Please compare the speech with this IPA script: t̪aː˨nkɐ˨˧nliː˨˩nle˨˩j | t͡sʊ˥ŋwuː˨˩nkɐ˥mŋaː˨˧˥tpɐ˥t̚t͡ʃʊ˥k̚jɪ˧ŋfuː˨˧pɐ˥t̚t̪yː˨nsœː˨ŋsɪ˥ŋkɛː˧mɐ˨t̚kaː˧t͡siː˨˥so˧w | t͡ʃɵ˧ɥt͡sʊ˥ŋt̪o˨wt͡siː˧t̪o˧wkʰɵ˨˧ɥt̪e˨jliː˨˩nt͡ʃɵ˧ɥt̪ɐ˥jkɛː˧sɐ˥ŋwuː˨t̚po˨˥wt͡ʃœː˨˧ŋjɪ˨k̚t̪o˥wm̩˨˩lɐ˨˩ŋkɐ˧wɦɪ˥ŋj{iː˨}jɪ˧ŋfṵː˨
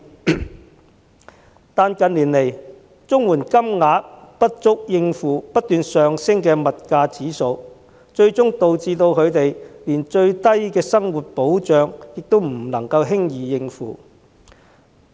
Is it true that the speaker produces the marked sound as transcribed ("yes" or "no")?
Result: yes